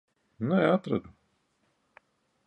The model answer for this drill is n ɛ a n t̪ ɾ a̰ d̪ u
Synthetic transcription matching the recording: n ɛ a t̪ ɾ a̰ d̪ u